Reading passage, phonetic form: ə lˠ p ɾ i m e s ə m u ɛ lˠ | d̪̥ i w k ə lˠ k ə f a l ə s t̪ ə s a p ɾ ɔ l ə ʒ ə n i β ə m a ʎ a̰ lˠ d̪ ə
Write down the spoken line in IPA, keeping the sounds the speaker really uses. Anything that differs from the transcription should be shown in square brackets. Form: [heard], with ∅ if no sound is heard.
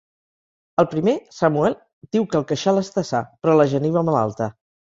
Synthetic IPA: ə lˠ p ɾ i m e s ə m u ɛ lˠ | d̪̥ i w k ə lˠ k ə [ʃ] a l ə s t̪ ə s a p ɾ ɔ l ə ʒ ə n i β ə m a [l] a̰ lˠ [t̪] ə